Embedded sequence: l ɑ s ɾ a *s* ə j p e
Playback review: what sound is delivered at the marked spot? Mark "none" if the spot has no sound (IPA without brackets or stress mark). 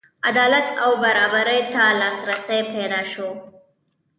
s